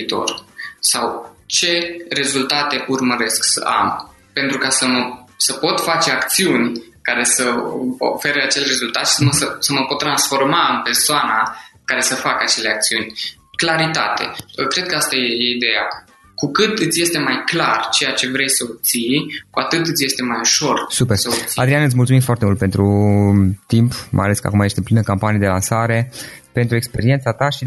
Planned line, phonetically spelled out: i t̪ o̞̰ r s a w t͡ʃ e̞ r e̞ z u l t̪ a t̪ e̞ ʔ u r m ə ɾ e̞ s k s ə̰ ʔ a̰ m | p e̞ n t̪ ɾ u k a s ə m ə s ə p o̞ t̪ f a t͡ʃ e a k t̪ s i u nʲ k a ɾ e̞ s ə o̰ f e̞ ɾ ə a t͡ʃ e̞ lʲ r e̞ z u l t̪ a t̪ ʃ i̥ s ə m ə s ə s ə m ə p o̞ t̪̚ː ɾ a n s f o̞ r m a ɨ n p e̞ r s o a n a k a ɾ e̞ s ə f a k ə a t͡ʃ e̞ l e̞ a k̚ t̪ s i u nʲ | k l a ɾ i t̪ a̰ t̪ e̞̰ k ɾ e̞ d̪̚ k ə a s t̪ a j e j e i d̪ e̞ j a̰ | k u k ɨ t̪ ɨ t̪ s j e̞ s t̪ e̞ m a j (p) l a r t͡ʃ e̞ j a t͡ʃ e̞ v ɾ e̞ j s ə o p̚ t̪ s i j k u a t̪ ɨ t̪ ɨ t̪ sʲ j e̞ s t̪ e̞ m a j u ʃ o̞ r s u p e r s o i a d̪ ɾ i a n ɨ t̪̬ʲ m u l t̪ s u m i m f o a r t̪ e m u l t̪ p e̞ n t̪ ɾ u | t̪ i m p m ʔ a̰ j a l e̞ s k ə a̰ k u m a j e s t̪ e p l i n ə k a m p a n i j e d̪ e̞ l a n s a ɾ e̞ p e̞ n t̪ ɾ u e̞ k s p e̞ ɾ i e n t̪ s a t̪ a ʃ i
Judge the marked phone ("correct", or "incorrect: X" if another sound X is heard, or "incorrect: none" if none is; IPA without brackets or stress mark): incorrect: k